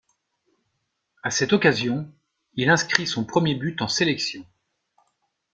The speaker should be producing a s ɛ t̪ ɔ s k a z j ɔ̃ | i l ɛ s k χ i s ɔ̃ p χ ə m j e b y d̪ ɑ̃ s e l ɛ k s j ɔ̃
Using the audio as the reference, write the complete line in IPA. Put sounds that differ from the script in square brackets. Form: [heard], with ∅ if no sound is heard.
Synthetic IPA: a s ɛ t̪ ɔ [∅] k a z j ɔ̃ | i l [ɛ̃] s k χ i s ɔ̃ p χ ə m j e b y [t̪] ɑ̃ s e l ɛ k s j ɔ̃